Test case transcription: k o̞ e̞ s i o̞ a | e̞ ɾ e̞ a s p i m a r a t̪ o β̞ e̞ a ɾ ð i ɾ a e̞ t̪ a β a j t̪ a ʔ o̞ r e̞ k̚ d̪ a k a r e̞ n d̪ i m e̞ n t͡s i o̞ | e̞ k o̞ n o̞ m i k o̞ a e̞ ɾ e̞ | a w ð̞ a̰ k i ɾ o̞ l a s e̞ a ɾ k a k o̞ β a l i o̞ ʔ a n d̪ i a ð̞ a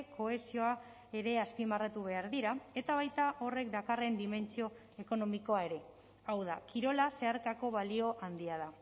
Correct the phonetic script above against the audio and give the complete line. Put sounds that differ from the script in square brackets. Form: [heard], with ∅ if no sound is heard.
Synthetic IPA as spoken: k o̞ e̞ s i o̞ a | e̞ ɾ e̞ a s p i m a r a t̪ [u] β̞ e̞ a ɾ ð i ɾ a e̞ t̪ a β a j t̪ a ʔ o̞ r e̞ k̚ d̪ a k a r e̞ n d̪ i m e̞ n t͡s i o̞ | e̞ k o̞ n o̞ m i k o̞ a e̞ ɾ e̞ | a w ð̞ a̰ k i ɾ o̞ l a s e̞ a ɾ k a k o̞ β a l i o̞ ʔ a n d̪ i a ð̞ a